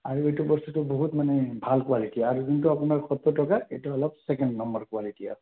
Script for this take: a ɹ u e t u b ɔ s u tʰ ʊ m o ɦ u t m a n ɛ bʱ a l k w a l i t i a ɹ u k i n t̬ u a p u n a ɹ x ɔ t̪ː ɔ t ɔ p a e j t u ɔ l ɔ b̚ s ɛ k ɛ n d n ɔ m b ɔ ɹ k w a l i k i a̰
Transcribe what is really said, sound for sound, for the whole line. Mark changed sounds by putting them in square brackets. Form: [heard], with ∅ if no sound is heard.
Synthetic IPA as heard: a ɹ u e t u b ɔ s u [t] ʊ [b] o ɦ u t m a n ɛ bʱ a l k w a l i t i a ɹ u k i n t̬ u a p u n a ɹ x ɔ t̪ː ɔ t ɔ [k] a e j t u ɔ l ɔ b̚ s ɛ k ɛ n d n ɔ m b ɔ ɹ k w a l i [t] i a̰